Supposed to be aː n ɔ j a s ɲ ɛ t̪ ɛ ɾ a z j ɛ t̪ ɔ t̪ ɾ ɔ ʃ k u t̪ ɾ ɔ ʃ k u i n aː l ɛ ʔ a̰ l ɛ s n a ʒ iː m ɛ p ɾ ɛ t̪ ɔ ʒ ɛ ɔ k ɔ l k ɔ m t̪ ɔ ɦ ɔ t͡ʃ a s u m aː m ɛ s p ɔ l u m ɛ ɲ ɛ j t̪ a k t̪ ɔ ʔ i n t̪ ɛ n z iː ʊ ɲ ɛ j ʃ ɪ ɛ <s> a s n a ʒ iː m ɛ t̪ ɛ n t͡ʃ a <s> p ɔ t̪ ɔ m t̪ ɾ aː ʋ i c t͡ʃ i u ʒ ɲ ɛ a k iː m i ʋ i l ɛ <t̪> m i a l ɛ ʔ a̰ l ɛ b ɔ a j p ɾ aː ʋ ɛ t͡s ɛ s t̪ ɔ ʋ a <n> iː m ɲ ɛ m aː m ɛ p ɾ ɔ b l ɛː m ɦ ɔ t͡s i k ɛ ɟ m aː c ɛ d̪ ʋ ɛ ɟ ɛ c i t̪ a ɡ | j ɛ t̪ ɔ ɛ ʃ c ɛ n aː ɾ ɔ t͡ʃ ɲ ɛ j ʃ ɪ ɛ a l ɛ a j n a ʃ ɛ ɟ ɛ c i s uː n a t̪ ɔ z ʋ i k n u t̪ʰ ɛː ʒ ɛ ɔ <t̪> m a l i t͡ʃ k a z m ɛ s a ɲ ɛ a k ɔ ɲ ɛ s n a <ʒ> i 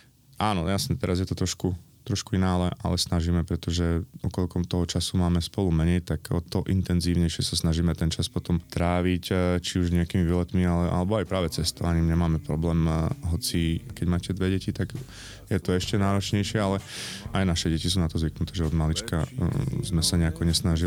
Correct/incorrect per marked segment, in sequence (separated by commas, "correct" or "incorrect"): correct, correct, correct, incorrect, incorrect, correct